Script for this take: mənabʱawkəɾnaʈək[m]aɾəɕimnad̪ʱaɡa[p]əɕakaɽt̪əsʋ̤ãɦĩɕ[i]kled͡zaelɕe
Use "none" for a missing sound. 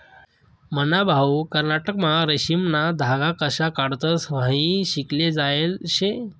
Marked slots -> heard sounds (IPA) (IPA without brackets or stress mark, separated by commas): m, k, i